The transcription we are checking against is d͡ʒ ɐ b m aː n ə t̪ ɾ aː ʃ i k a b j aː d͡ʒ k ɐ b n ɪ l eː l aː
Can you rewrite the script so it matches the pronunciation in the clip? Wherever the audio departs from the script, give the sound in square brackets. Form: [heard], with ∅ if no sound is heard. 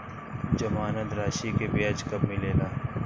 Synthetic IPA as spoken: d͡ʒ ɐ [∅] m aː n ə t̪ ɾ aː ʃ i k [e] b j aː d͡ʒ k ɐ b [m] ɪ l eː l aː